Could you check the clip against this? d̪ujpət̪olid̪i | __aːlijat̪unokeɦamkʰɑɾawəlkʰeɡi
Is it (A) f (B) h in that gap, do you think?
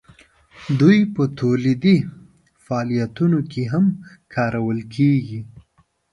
A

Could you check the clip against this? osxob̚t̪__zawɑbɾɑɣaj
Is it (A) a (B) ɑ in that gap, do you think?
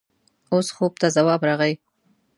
A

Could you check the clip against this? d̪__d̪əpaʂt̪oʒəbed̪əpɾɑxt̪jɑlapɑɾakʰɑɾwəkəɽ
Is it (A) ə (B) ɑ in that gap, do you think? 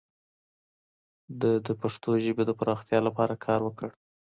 A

